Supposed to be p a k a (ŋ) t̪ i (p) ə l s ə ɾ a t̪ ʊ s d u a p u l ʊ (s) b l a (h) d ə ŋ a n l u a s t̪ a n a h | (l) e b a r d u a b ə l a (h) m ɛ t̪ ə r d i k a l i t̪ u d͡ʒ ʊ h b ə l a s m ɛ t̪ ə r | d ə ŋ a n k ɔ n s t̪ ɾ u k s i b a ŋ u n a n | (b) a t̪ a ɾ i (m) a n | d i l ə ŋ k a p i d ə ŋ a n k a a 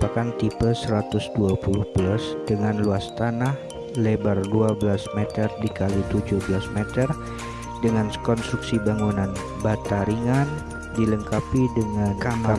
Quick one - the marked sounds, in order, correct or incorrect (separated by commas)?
incorrect, correct, incorrect, incorrect, correct, incorrect, correct, incorrect